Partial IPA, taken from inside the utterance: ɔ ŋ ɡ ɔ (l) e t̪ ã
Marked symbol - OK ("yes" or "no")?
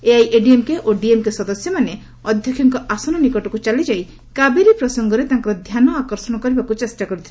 no